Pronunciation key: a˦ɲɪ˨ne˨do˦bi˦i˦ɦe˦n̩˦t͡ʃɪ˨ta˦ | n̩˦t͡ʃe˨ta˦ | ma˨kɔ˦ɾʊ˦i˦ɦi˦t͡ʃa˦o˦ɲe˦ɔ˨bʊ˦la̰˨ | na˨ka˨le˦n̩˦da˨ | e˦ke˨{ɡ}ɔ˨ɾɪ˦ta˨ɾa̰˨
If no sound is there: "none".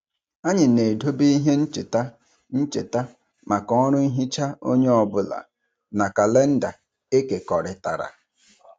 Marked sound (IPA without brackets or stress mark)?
k